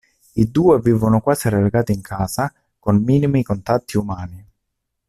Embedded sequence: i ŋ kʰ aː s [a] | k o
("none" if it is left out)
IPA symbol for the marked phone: a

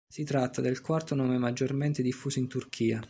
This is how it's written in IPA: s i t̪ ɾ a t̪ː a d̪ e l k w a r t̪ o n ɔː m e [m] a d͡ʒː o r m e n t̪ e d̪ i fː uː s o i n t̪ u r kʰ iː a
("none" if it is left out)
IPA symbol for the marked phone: m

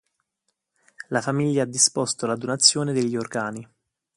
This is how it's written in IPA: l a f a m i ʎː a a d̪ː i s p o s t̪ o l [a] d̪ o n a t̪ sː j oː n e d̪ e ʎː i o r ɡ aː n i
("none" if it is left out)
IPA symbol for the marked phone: a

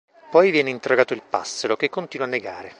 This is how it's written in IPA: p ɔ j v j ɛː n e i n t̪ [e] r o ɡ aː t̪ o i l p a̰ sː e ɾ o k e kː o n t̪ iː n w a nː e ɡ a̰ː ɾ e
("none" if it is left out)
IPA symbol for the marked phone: e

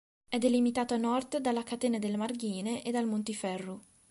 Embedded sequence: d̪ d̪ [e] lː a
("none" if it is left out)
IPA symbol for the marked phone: a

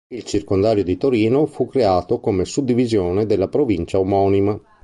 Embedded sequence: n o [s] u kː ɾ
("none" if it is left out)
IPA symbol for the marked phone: f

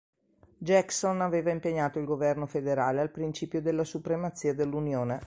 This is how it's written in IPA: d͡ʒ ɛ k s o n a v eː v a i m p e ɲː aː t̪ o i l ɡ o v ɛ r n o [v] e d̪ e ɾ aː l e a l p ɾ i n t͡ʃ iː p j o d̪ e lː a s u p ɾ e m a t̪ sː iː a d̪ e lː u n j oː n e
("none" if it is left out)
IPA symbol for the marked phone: f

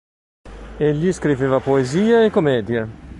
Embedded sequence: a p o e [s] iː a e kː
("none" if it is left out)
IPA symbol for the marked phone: z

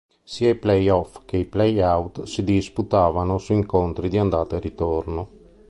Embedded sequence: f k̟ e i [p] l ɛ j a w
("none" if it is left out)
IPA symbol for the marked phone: p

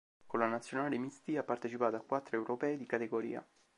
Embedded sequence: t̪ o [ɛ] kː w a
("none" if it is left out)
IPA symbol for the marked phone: a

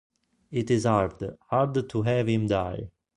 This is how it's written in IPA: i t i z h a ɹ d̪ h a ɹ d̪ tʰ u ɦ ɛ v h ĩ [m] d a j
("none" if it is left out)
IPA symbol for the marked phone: m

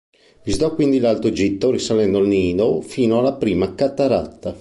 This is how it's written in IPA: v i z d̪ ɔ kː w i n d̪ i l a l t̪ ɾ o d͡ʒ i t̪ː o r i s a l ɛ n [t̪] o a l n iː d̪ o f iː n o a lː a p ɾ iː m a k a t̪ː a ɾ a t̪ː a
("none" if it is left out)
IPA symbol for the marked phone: d̪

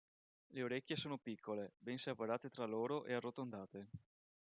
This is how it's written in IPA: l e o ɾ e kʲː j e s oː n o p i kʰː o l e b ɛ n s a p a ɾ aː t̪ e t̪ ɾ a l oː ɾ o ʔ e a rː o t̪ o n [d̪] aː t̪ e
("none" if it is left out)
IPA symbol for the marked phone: d̪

